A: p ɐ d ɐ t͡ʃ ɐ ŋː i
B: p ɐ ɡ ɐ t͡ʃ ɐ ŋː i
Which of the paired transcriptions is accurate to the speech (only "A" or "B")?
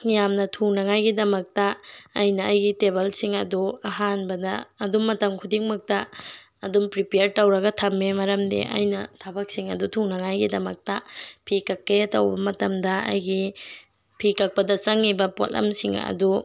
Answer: A